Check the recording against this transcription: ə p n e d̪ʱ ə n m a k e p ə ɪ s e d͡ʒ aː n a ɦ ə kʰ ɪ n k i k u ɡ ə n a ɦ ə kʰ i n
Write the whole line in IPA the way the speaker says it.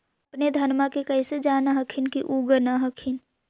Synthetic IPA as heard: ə p n e d̪ʱ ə n m a k e k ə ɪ s e d͡ʒ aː n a ɦ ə kʰ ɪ n k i ʔ u ɡ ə n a ɦ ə kʰ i n

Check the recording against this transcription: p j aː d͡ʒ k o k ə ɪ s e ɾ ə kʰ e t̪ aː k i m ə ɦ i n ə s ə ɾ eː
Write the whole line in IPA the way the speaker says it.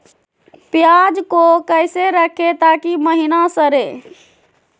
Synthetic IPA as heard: p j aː d͡ʒ k o k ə ɪ s e ɾ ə kʰ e t̪ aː k i m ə ɦ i n a s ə ɾ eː

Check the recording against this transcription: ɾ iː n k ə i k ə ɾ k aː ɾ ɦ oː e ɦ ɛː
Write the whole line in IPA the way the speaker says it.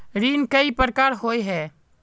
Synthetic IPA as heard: ɾ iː n k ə i p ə ɾ k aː ɾ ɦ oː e ɦ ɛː

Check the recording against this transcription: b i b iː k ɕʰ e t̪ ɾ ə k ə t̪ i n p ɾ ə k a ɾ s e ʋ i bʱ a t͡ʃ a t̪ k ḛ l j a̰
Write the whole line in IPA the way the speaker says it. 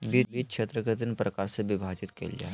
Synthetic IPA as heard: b i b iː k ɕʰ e t̪ ɾ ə k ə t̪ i n p ɾ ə k a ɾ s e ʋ i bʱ a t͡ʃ i t̪ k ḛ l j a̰

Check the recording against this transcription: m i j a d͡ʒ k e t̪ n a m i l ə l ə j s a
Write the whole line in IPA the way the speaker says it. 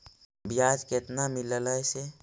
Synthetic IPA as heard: b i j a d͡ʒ k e t̪ n a m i l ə l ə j s e

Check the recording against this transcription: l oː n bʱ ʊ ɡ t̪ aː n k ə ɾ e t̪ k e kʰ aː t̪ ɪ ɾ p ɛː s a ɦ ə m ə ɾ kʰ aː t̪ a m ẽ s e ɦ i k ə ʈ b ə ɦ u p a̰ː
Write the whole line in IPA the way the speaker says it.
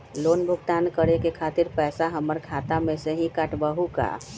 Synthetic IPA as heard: l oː n bʱ ʊ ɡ t̪ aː n k ə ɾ e k e kʰ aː t̪ ɪ ɾ p ɛː s a ɦ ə m ə ɾ kʰ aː t̪ a m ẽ s e ɦ i k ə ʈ b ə ɦ u k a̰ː

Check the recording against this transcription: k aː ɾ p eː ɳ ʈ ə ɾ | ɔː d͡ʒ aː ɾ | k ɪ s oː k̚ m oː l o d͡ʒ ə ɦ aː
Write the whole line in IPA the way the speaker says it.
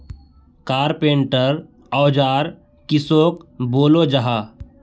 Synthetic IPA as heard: k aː ɾ p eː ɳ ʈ ə ɾ | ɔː d͡ʒ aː ɾ | k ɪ s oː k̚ b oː l o d͡ʒ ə ɦ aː

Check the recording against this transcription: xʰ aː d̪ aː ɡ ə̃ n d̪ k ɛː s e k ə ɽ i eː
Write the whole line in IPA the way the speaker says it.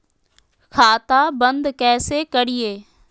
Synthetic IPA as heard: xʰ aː t̪ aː b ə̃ n d̪ k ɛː s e k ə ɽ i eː

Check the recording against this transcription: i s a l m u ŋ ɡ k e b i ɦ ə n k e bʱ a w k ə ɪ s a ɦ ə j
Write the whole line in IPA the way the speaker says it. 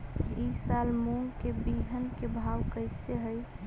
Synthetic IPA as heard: i s a l m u ŋ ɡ k e b i ɦ ə n k e bʱ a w k ə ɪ s e ɦ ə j

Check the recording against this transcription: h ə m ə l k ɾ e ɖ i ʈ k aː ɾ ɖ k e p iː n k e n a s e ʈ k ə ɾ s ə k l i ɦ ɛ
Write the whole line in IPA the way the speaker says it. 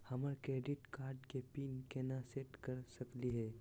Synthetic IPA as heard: h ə m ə ɾ k ɾ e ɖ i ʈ k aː ɾ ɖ k e p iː n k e n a s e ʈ k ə ɾ s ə k l i ɦ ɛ

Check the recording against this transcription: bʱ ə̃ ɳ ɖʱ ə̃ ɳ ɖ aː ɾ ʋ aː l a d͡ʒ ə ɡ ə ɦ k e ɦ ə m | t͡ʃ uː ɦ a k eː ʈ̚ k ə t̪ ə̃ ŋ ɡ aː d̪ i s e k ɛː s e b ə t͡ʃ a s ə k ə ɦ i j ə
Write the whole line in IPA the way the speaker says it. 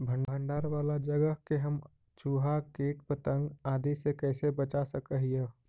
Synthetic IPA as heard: bʱ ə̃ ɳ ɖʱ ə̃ ɳ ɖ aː ɾ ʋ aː l a d͡ʒ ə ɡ ə ɦ k e ɦ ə m | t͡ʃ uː ɦ a k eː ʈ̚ p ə t̪ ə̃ ŋ ɡ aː d̪ i s e k ɛː s e b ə t͡ʃ a s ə k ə ɦ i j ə

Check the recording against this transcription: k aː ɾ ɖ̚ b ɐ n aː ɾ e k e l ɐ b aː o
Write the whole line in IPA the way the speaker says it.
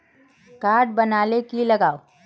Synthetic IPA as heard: k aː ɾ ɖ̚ b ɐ n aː l e k i l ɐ ɡ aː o

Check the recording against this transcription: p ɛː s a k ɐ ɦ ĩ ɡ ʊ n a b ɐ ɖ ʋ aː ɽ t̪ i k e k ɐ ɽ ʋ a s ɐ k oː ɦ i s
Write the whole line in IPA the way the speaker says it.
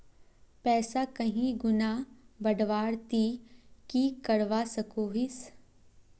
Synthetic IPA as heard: p ɛː s a k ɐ ɦ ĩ ɡ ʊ n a b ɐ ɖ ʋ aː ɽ t̪ i k i k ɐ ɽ ʋ a s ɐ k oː ɦ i s

